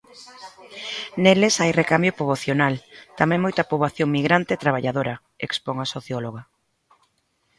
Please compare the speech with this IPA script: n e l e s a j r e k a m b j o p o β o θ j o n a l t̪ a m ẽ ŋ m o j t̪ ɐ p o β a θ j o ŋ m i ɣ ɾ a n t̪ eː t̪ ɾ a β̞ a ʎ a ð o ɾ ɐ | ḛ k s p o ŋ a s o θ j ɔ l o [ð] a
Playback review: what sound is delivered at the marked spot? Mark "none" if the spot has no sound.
ɣ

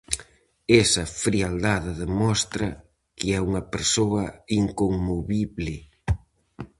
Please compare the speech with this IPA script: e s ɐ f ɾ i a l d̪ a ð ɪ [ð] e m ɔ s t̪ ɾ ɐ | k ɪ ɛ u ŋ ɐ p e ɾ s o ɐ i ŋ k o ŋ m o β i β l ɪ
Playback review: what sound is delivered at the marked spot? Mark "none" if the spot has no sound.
ð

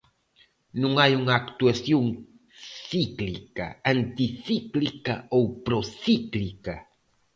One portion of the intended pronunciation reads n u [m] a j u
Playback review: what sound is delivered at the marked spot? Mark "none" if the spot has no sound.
ŋ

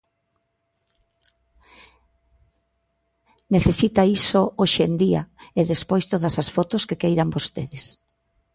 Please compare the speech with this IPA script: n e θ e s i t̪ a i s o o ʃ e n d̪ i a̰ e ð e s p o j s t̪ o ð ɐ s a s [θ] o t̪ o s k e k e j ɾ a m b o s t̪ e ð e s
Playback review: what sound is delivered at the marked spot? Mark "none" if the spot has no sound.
f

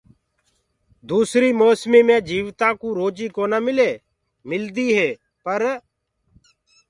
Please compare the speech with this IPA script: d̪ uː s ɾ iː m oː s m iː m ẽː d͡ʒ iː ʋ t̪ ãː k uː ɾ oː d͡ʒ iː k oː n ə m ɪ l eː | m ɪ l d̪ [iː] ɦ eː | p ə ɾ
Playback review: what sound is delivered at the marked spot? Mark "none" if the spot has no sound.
iː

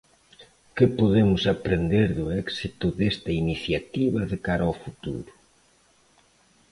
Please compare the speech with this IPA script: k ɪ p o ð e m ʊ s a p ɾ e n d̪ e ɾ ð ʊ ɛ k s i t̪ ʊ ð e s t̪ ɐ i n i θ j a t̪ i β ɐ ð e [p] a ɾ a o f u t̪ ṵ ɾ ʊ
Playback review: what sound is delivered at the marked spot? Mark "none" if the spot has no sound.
k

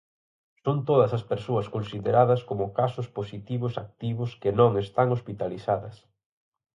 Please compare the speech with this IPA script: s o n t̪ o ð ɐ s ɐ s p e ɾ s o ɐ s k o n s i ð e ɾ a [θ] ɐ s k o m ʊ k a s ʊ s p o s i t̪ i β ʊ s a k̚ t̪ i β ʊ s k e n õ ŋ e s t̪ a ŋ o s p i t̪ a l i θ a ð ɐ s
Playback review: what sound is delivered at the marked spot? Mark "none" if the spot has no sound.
ð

